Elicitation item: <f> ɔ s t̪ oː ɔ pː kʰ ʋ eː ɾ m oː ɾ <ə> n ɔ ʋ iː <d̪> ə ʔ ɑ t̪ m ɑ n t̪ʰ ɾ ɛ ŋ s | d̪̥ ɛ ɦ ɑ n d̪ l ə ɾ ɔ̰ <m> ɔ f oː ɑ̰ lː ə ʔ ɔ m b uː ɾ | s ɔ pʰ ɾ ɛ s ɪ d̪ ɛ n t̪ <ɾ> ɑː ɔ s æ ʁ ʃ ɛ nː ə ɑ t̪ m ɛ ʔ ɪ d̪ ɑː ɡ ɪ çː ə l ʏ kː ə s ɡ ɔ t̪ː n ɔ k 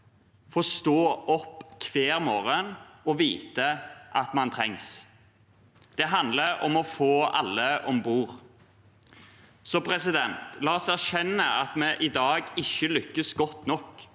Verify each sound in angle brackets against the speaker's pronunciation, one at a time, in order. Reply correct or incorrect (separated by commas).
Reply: correct, correct, incorrect, correct, incorrect